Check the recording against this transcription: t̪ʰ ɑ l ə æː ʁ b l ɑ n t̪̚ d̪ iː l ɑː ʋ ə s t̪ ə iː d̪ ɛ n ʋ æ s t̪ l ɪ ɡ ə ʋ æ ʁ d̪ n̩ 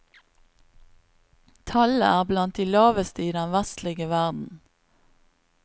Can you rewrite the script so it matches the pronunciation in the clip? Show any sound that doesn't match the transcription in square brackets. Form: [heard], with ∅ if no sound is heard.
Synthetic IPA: t̪ʰ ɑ l ə æː ʁ b l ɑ n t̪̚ d̪ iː l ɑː ʋ ə s t̪ ə iː d̪ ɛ n ʋ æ s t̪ l ɪ ɡ ə ʋ æ ʁ d̪ n̩